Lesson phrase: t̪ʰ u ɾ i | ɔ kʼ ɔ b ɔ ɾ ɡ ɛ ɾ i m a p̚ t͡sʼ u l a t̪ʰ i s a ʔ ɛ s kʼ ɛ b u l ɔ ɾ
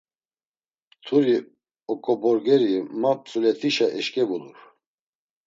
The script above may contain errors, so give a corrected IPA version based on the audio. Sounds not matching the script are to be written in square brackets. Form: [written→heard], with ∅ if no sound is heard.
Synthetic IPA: t̪ʰ u ɾ i | ɔ kʼ ɔ b ɔ ɾ ɡ ɛ ɾ i m a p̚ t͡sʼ u l [a→ɛ] t̪ʰ i [s→ʃ] a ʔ ɛ [s→ʃ] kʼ ɛ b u l [ɔ→u] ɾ